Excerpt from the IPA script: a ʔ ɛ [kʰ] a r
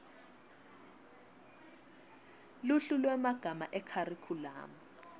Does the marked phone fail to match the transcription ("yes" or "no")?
no